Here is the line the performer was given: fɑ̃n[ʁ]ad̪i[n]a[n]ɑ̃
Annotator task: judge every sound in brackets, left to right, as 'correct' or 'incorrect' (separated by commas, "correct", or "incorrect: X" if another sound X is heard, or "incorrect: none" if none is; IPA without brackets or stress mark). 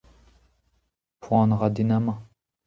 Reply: correct, correct, incorrect: m